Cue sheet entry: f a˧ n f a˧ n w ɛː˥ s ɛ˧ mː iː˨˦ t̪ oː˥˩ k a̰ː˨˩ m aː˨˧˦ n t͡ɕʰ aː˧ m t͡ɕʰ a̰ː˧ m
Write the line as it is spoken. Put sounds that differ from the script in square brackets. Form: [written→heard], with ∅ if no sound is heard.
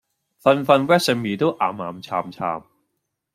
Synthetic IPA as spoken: f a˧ n f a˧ n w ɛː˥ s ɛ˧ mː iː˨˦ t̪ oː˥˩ [k→ʔ] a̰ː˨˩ m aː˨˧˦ [n→m] t͡ɕʰ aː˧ m t͡ɕʰ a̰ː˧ m